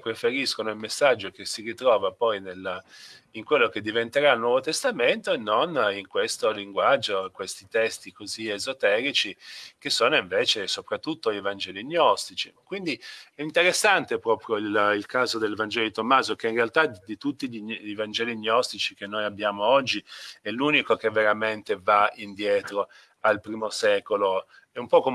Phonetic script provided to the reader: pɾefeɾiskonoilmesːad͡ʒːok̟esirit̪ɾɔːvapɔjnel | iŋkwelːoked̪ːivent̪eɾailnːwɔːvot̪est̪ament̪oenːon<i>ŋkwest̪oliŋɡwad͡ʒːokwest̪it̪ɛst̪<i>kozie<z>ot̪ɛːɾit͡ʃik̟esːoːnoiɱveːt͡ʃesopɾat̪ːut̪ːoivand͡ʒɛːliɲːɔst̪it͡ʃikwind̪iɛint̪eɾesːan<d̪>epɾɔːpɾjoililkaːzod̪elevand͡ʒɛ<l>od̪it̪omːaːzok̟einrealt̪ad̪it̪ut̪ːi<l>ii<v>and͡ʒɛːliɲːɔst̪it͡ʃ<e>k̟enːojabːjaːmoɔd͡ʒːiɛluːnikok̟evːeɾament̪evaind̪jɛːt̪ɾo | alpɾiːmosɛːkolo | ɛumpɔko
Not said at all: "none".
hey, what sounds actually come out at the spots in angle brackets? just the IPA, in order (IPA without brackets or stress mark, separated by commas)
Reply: i, i, z, t̪, l, ʎ, v, i